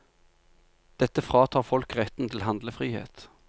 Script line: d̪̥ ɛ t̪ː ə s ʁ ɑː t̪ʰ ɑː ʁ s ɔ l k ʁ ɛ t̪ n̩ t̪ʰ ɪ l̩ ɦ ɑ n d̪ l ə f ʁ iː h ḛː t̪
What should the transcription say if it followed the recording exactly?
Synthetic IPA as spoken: d̪̥ ɛ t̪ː ə f ʁ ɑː t̪ʰ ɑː ʁ f ɔ l k ʁ ɛ t̪ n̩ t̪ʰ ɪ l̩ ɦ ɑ n d̪ l ə f ʁ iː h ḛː t̪